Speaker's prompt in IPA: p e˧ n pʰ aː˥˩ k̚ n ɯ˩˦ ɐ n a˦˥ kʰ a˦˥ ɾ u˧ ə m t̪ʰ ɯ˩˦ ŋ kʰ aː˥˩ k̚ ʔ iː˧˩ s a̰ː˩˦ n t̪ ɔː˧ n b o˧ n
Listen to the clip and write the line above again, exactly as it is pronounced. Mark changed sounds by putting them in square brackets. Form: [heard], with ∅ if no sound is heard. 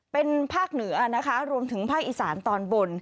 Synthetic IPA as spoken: p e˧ n pʰ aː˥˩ k̚ n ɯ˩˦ ɐ n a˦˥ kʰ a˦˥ ɾ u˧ ə m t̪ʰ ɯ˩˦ ŋ [pʰ] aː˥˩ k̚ ʔ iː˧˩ s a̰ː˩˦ n t̪ ɔː˧ n b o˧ n